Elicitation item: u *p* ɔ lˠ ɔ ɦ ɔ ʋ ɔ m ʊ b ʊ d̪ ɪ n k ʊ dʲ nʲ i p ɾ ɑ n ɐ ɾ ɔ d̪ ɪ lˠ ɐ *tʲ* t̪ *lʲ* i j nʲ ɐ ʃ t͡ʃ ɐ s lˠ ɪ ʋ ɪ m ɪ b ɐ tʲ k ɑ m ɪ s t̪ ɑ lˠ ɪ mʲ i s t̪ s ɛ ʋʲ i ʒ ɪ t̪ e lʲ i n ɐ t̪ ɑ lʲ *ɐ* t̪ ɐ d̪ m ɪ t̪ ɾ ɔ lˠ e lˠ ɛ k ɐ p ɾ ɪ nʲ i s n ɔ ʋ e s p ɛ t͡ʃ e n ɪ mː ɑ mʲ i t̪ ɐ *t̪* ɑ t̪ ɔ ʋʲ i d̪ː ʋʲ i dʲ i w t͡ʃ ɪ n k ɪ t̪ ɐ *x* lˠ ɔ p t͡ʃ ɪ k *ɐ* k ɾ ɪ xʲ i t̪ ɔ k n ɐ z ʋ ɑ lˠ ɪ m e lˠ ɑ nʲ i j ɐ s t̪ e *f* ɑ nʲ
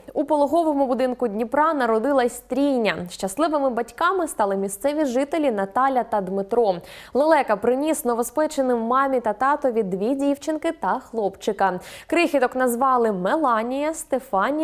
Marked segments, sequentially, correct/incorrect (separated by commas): correct, incorrect, incorrect, correct, correct, correct, correct, correct